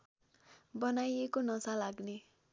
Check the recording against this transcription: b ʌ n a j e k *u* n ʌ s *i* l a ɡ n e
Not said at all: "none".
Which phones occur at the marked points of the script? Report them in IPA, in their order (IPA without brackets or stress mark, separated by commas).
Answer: o, a